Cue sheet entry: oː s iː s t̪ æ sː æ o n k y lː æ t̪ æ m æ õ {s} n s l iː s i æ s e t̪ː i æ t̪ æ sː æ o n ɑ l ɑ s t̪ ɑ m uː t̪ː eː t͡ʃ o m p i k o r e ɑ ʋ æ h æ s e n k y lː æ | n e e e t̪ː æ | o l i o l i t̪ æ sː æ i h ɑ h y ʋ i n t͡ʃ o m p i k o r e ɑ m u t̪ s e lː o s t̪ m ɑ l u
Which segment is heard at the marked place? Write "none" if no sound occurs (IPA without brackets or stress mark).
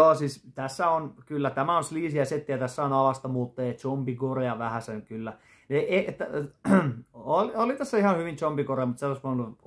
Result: none